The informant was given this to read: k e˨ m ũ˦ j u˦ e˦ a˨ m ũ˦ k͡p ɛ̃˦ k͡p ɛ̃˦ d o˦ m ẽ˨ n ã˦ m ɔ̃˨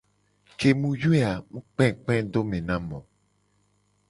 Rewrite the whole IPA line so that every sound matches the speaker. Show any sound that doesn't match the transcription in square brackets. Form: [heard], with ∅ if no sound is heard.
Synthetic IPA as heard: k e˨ m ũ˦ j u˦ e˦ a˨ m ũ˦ k͡p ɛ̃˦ k͡p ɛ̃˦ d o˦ m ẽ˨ n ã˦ m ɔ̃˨